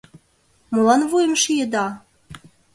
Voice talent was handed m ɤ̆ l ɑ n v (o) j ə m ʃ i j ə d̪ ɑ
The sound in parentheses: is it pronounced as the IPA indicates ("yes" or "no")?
no